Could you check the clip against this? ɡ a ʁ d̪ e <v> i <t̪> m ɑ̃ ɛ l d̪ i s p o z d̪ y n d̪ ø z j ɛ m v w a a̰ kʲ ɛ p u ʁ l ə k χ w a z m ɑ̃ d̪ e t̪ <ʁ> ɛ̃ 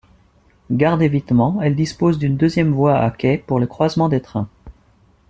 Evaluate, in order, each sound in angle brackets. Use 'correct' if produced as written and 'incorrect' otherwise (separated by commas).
correct, correct, incorrect